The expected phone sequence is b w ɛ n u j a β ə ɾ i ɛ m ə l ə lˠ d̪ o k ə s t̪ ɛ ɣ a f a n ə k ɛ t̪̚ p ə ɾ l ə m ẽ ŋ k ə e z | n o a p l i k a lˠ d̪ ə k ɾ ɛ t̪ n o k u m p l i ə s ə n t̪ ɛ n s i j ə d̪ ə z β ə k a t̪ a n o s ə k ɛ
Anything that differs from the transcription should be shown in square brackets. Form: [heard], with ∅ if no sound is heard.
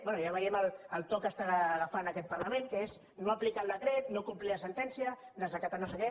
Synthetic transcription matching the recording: b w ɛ n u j a β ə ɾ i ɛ m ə l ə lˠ [t̪] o k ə s t̪ [a] ɣ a f a n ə k ɛ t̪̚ p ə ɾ l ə m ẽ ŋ k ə e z | n o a p l i k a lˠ d̪ ə k ɾ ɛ t̪ n o k u m p l i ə s ə n t̪ ɛ n s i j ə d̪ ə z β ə k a t̪ a n o s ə k ɛ